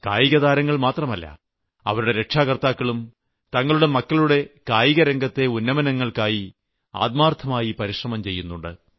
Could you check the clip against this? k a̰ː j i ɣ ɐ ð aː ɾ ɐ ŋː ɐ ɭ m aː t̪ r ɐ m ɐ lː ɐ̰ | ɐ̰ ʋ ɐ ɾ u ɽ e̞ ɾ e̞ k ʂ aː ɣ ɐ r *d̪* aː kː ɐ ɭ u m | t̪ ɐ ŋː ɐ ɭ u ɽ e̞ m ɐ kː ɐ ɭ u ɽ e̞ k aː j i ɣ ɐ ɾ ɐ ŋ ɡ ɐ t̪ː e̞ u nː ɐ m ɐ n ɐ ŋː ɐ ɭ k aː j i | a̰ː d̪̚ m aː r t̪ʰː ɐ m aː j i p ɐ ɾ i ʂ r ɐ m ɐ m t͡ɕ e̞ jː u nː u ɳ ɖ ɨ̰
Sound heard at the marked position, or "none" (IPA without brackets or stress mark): t̪